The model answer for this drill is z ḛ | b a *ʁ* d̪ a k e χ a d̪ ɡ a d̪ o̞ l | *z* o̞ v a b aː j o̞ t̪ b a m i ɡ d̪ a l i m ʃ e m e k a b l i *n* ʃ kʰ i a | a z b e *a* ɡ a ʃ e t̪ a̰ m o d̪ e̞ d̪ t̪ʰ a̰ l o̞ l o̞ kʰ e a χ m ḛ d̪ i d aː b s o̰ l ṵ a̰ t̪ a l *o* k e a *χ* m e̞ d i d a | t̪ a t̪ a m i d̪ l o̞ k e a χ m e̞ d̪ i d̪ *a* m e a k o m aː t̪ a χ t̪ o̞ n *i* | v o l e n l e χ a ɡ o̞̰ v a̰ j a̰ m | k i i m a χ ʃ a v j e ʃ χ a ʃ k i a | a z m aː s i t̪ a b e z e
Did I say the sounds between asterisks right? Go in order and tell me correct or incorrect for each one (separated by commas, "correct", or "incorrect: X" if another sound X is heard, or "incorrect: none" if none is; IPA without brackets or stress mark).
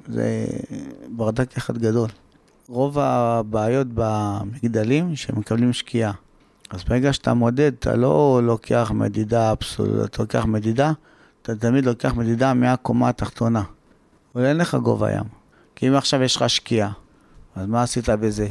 correct, incorrect: ʁ, incorrect: m, incorrect: e, correct, correct, correct, incorrect: a